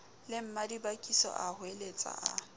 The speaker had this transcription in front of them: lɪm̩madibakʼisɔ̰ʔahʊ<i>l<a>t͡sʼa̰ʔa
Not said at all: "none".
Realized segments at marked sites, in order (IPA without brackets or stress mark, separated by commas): e, e